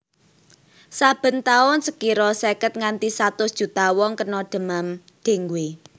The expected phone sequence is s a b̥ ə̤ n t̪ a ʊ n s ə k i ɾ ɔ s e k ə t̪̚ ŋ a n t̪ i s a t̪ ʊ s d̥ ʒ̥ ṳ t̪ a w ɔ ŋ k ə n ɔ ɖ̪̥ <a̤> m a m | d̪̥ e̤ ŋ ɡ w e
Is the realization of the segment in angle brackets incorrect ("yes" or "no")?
yes